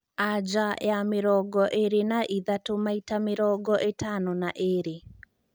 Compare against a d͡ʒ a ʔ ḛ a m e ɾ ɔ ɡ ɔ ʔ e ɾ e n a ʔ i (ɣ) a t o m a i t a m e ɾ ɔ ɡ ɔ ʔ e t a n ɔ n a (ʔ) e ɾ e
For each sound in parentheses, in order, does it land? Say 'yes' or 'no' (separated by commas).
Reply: no, yes